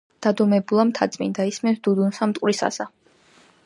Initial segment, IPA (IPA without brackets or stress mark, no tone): d̪̥